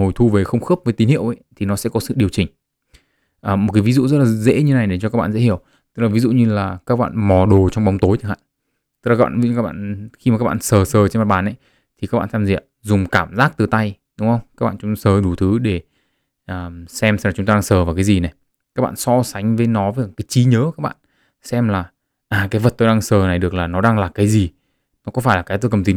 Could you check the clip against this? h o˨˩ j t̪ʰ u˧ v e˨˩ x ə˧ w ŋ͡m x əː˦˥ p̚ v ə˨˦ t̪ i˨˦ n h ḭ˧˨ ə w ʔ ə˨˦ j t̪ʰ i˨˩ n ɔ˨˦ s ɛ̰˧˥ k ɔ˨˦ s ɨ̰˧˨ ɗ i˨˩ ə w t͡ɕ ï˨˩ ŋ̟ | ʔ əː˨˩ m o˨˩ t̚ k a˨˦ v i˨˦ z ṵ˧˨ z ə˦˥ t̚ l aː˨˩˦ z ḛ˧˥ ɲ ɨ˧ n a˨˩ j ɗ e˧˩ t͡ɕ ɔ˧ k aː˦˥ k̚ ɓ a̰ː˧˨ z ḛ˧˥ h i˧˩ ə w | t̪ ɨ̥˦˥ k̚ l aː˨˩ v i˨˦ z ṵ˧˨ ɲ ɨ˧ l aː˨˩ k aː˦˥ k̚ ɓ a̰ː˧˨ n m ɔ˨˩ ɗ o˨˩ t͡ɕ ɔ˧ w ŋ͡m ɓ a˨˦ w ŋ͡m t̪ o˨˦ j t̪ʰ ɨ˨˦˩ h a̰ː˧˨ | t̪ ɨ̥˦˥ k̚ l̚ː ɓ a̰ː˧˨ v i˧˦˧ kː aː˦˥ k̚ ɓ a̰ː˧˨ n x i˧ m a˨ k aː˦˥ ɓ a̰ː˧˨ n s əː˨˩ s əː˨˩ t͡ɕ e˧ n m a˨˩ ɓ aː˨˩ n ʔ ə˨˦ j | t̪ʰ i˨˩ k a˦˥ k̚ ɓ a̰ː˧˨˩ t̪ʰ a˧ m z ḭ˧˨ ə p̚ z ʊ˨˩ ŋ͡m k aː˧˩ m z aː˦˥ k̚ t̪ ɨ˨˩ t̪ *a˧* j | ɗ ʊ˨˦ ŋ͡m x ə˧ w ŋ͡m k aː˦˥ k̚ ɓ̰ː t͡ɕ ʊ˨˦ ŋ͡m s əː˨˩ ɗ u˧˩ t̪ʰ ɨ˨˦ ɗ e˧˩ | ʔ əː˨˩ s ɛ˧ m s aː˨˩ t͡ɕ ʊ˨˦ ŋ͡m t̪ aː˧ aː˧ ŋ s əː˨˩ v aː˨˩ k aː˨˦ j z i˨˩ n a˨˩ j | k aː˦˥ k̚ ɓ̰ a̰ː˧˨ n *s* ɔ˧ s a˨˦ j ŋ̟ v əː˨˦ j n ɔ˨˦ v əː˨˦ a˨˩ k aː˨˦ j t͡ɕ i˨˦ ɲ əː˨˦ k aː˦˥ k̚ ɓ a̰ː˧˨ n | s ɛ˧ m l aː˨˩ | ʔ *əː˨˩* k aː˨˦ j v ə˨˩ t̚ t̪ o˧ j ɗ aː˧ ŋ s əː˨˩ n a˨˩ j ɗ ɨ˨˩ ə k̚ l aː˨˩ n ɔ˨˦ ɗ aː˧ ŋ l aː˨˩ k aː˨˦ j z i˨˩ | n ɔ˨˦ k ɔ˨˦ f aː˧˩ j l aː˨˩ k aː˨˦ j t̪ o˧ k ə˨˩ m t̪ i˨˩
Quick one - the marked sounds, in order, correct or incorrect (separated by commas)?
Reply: correct, correct, incorrect